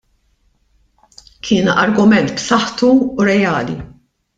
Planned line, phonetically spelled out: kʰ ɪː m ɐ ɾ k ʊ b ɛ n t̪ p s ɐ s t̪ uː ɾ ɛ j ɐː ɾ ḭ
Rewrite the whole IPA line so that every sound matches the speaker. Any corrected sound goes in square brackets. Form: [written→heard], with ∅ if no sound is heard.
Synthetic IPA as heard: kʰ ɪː [m→n] ɐ ɾ [k→ɡ] ʊ [b→m] ɛ n t̪ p s ɐ [s→ħ] t̪ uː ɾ ɛ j ɐː [ɾ→l] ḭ